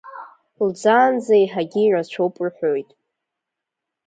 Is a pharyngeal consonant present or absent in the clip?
present